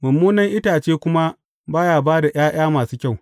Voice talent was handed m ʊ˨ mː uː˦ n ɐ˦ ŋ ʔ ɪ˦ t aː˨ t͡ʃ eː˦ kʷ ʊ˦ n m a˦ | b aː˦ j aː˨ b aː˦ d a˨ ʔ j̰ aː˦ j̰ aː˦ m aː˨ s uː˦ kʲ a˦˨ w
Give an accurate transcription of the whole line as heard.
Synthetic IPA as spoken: m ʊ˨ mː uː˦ n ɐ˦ ŋ ʔ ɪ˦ t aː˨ t͡ʃ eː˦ kʷ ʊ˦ m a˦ | b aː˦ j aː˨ b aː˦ d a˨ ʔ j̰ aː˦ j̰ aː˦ m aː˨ s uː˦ kʲ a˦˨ w